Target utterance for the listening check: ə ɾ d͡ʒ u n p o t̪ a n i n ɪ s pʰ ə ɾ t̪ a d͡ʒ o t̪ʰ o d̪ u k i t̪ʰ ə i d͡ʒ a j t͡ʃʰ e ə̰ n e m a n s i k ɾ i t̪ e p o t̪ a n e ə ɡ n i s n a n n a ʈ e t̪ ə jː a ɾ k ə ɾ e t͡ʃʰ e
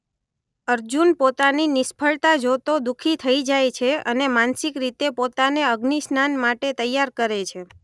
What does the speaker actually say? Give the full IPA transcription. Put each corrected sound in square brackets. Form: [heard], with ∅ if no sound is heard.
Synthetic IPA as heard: ə ɾ d͡ʒ u n p o t̪ a n i n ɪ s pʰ ə [ɭ] t̪ a d͡ʒ o [t̪] o d̪ u [kʰ] i t̪ʰ ə i d͡ʒ a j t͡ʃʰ e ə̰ n e m a n s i k ɾ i t̪ e p o t̪ a n e ə ɡ n i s n a n [m] a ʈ e t̪ ə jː a ɾ k ə ɾ e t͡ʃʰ e